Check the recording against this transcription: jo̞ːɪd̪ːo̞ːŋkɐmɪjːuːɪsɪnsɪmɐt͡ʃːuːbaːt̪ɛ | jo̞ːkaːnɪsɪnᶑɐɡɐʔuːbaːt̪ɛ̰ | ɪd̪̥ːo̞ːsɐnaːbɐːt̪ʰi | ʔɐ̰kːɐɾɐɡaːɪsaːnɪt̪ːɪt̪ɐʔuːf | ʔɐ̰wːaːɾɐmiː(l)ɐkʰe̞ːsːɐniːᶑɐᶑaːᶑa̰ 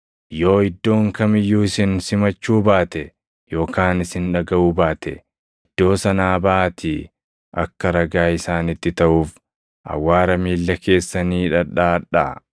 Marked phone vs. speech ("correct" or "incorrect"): incorrect